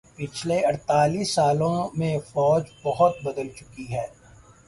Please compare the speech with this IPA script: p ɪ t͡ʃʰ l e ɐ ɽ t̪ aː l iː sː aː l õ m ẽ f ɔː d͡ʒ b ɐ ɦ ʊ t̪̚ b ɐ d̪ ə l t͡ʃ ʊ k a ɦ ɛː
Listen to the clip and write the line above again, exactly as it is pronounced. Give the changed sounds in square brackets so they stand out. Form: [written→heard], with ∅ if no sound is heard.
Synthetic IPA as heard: p ɪ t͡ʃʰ l e ɐ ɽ t̪ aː l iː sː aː l õ m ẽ f ɔː d͡ʒ b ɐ ɦ ʊ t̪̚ b ɐ d̪ ə l t͡ʃ ʊ k [a→i] ɦ ɛː